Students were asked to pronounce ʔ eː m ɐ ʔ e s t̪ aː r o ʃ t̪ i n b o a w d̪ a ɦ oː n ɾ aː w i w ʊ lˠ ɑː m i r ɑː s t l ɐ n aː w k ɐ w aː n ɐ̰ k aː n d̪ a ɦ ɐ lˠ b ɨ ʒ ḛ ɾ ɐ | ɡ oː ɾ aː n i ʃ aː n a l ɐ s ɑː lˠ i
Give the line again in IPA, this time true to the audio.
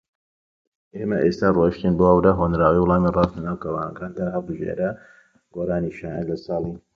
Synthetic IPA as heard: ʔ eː m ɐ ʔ e s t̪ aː r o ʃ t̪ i n b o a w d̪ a ɦ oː n ɾ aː w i w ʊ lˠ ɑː m i r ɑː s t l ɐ n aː w k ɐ w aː n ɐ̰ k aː n d̪ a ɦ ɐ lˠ b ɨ ʒ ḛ ɾ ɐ | ɡ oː ɾ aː n i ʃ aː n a l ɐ s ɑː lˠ i